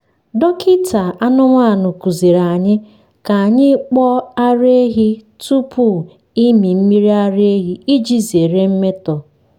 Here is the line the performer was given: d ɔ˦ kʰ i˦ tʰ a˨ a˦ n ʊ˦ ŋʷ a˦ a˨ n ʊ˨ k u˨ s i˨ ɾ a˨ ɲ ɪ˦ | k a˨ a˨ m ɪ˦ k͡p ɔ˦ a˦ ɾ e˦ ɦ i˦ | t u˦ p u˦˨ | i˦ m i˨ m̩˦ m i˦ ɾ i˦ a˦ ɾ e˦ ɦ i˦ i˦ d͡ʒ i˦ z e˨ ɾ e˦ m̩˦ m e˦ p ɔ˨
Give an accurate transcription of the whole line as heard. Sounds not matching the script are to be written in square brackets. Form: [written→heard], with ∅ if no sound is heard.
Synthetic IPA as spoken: d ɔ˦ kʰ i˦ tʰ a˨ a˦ n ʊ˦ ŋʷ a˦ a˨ n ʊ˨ k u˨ [s→z] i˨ ɾ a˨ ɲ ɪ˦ | k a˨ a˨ [m→ɲ] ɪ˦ k͡p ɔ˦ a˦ ɾ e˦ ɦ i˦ | t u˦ p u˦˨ | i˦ m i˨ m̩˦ m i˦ ɾ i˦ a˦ ɾ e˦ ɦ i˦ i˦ d͡ʒ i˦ z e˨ ɾ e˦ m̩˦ m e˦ [p→t] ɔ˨